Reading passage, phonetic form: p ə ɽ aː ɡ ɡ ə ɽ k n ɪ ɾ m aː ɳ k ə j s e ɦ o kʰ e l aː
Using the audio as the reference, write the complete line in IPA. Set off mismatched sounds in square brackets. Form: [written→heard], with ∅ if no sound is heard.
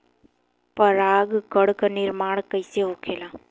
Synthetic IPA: p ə [ɽ→ɾ] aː ɡ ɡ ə ɽ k n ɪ ɾ m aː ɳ k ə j s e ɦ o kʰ e l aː

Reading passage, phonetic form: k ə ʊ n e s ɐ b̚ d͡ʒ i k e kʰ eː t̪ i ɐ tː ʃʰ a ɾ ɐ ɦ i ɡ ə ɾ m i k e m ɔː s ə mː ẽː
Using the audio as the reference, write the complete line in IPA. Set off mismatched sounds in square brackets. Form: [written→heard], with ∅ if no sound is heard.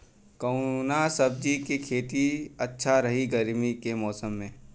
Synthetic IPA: k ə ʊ n [e→a] s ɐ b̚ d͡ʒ i k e kʰ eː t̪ i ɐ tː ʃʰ a ɾ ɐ ɦ i ɡ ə ɾ m i k e m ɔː s ə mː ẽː

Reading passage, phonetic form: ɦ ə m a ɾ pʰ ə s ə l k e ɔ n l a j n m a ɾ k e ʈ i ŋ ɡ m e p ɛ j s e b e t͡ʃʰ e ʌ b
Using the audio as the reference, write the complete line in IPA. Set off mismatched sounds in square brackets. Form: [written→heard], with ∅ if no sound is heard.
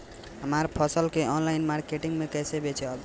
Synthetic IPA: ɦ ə m a ɾ pʰ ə s ə l k e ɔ n l a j n m a ɾ k e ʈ i ŋ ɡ m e [p→k] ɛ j s e b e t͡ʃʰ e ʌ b

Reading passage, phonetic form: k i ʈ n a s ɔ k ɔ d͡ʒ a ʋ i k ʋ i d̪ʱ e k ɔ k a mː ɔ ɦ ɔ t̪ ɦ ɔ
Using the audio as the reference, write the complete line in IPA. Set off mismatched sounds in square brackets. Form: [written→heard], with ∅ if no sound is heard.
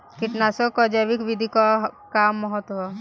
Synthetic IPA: k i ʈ n a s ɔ k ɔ d͡ʒ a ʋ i k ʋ i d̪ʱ [e→i] k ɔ k a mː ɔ ɦ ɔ t̪ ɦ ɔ

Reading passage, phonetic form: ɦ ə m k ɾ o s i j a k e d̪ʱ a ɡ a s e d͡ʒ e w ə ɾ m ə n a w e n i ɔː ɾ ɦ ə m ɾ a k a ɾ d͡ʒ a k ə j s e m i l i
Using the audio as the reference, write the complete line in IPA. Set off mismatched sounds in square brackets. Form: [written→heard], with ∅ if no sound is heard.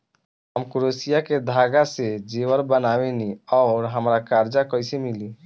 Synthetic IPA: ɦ ə m k ɾ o s i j a k e d̪ʱ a ɡ a s e d͡ʒ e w ə ɾ [m→b] ə n a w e n i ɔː ɾ ɦ ə m ɾ a k a ɾ d͡ʒ a k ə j s e m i l i

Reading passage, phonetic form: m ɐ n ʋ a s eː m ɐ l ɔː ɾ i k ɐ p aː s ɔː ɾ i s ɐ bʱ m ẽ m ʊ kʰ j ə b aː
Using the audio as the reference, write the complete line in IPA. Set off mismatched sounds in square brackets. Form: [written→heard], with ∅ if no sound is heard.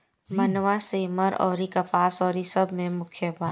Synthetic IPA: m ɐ n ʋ a s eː m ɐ [l→ɾ] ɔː ɾ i k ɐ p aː s ɔː ɾ i s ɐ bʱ m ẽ m ʊ kʰ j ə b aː

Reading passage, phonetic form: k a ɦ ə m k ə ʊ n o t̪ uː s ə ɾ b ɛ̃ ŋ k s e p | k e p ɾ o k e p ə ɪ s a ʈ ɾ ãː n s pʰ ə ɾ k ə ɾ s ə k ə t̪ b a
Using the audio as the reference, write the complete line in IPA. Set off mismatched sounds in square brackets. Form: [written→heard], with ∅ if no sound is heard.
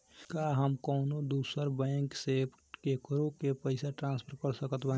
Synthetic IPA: k a ɦ ə m k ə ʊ n o [t̪→d̪] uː s ə ɾ b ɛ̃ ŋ k s e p | k e [p→k] ɾ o k e p ə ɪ s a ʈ ɾ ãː n s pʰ ə ɾ k ə ɾ s ə k ə t̪ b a

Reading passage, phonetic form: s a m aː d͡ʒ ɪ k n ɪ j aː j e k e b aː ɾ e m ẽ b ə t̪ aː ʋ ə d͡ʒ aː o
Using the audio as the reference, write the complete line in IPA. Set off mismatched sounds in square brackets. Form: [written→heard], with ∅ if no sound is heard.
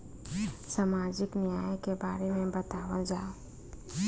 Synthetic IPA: s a m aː d͡ʒ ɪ k n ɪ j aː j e k e b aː ɾ e m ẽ b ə t̪ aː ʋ ə d͡ʒ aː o

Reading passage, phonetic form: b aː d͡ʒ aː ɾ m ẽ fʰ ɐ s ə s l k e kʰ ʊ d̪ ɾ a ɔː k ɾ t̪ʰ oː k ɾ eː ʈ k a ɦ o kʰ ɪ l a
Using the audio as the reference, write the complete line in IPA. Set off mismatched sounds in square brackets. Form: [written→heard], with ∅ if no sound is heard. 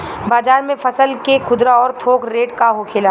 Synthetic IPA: b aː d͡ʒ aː ɾ m ẽ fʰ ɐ s ə [s→∅] l k e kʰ ʊ d̪ ɾ a ɔː [k→∅] ɾ t̪ʰ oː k ɾ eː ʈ k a ɦ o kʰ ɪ l a

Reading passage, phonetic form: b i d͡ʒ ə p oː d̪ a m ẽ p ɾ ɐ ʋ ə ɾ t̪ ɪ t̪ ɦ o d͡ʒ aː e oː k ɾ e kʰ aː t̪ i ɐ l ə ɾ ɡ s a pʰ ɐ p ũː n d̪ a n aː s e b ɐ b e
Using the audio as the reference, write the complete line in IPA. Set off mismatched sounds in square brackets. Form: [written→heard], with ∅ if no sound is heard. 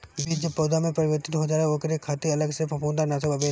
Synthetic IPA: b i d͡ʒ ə p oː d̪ a m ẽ p ɾ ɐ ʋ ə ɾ t̪ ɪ t̪ ɦ o d͡ʒ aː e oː k ɾ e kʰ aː t̪ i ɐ l ə [ɾ→∅] ɡ s [a→e] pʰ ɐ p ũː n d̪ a n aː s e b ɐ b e

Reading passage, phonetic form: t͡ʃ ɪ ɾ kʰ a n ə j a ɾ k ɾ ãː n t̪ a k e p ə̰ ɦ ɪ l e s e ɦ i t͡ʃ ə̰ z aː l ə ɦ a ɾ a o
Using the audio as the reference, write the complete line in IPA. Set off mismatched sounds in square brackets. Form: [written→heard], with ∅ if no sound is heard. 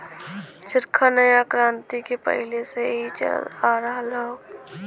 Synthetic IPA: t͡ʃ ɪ ɾ kʰ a n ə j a [ɾ→∅] k ɾ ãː n t̪ [a→i] k e p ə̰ ɦ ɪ l e s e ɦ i t͡ʃ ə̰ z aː [l→ɾ] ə ɦ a [ɾ→l] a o

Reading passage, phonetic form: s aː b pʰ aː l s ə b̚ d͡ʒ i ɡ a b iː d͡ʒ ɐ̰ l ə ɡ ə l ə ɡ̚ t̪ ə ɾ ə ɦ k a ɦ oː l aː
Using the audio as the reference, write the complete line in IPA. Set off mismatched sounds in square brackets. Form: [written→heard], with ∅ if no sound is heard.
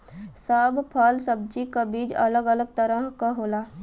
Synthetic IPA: s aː b pʰ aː l s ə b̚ d͡ʒ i [ɡ→k] a b iː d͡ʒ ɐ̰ l ə ɡ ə l ə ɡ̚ t̪ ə ɾ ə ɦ k a ɦ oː l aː

